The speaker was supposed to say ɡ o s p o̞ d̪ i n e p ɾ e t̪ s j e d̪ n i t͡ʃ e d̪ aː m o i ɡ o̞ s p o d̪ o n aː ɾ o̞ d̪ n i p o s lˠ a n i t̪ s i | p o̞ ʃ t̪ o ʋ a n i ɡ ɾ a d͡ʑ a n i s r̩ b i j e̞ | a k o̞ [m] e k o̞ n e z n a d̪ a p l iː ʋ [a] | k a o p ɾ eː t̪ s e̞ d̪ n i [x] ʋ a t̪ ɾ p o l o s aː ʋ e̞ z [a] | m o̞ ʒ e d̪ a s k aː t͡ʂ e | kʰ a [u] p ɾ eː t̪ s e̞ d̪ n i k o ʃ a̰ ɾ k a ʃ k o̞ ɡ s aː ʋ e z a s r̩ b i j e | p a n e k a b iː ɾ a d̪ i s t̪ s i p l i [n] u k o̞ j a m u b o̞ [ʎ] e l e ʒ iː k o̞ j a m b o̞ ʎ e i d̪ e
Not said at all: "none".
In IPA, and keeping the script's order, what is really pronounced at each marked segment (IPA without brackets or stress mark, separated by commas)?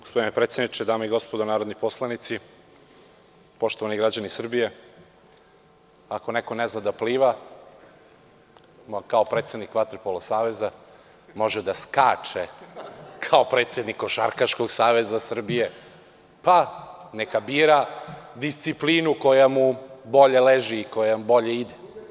n, a, k, a, o, n, ʎ